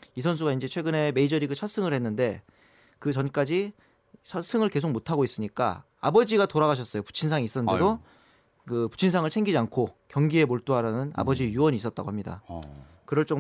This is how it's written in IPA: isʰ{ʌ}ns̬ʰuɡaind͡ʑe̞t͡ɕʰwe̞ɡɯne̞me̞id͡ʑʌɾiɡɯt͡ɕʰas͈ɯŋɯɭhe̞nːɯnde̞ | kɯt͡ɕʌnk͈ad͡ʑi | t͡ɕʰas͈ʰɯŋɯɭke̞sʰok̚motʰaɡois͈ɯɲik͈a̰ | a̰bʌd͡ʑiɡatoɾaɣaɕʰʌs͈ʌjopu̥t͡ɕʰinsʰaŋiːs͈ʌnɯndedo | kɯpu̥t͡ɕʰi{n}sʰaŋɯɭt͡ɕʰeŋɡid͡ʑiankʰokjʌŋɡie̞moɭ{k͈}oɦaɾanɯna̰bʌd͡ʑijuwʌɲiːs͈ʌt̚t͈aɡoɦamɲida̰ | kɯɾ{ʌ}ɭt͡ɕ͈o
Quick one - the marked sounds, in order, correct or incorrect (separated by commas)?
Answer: correct, correct, incorrect, correct